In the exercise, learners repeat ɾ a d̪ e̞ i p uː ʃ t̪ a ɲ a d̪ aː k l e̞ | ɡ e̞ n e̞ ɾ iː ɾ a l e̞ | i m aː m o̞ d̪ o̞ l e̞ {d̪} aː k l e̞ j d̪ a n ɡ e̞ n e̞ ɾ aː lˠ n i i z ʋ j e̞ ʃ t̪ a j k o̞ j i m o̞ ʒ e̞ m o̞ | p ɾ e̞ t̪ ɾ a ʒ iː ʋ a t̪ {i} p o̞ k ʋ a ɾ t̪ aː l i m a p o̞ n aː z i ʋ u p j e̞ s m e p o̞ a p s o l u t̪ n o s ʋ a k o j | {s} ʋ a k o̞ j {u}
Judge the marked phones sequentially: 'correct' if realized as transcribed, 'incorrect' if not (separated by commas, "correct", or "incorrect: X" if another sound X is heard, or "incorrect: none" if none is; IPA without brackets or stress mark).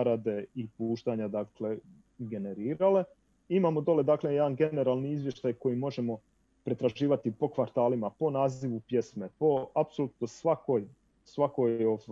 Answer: correct, correct, correct, incorrect: o